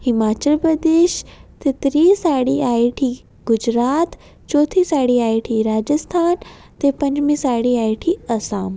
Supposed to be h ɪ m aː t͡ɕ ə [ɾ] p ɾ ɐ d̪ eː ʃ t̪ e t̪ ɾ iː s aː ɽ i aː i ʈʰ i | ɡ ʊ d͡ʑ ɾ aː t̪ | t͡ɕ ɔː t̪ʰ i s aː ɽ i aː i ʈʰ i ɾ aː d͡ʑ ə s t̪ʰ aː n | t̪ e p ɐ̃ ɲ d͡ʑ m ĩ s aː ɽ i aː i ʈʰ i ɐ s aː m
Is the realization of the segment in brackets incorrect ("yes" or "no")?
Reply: yes